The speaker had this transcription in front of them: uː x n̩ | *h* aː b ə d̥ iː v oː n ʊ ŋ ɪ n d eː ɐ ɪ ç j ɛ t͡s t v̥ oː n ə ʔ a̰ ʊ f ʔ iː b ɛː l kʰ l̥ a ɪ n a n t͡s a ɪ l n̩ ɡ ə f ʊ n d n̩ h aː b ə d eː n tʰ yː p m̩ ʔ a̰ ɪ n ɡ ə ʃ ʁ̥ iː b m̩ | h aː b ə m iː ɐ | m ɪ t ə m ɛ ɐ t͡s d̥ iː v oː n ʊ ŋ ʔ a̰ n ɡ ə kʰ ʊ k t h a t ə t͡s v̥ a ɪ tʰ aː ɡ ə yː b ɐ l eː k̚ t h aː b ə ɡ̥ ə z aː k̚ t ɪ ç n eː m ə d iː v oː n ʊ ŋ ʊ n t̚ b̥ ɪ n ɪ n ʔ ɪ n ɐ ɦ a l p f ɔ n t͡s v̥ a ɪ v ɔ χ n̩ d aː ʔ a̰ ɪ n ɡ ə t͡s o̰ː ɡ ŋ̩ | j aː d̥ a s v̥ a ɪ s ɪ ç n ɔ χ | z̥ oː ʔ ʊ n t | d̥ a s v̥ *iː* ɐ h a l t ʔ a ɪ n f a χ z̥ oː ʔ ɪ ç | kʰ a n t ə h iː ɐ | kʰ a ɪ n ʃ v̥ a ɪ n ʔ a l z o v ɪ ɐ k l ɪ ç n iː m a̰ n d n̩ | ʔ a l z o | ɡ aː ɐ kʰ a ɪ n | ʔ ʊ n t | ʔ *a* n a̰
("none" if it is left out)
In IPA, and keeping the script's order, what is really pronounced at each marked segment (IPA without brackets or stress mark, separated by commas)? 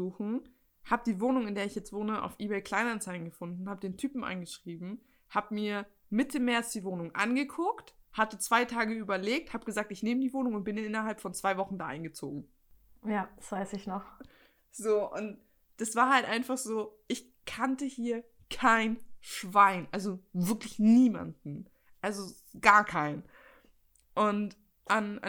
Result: h, aː, a